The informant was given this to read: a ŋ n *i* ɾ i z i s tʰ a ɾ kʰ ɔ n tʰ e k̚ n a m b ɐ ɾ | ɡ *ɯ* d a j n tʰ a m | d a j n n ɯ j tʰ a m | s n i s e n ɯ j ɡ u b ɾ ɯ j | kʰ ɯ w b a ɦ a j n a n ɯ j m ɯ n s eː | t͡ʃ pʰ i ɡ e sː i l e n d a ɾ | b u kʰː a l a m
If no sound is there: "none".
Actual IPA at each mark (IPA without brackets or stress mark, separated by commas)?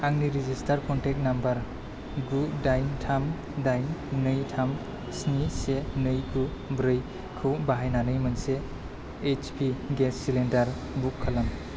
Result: i, u